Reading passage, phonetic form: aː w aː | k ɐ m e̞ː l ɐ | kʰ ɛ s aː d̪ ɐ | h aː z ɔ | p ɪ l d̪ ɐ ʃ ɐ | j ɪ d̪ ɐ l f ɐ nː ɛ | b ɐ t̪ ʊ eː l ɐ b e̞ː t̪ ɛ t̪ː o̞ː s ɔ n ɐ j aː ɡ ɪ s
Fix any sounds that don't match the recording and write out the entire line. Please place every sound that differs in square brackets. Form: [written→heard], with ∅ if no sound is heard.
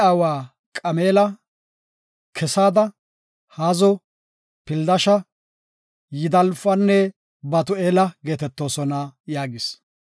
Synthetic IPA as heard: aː w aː | [k→kʼ] ɐ m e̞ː l ɐ | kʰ ɛ s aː d̪ ɐ | h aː z ɔ | p ɪ l d̪ ɐ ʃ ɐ | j ɪ d̪ ɐ l f ɐ nː ɛ | b ɐ t̪ ʊ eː l ɐ [b→ɡ] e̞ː t̪ ɛ t̪ː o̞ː s ɔ n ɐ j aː ɡ ɪ s